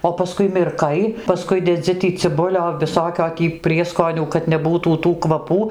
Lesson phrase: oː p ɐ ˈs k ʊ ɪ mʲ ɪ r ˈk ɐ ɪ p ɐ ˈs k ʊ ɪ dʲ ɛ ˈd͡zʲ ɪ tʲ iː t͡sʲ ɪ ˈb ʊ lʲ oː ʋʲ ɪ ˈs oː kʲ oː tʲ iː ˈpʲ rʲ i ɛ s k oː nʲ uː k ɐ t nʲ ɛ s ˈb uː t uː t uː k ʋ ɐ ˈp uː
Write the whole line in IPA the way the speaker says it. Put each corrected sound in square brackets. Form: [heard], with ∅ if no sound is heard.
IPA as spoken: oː p ɐ ˈs k ʊ ɪ mʲ ɪ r ˈk ɐ ɪ p ɐ ˈs k ʊ ɪ dʲ ɛ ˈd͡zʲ ɪ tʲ iː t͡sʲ ɪ ˈb ʊ lʲ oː ʋʲ ɪ ˈs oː kʲ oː tʲ iː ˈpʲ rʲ i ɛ s k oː nʲ uː k ɐ t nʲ ɛ [∅] ˈb uː t uː t uː k ʋ ɐ ˈp uː